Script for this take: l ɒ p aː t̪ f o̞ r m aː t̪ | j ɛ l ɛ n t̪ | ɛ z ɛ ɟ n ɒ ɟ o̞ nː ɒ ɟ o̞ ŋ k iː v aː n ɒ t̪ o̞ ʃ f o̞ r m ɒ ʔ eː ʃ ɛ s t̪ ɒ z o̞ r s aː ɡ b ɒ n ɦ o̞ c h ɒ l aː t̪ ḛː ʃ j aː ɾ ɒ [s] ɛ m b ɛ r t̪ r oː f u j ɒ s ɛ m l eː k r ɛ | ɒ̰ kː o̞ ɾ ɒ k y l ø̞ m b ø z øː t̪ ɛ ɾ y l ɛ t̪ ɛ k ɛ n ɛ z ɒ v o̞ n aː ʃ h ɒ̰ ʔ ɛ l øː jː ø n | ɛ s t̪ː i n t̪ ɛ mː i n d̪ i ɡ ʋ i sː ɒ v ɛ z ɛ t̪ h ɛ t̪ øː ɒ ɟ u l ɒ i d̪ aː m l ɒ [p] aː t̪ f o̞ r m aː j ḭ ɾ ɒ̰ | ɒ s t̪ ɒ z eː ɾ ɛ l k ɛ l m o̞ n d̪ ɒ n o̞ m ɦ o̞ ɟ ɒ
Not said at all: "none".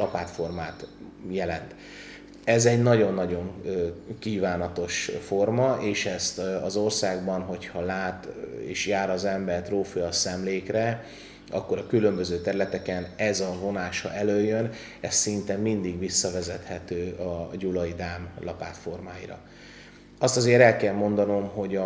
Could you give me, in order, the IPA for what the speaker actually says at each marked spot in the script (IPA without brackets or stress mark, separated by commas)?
z, p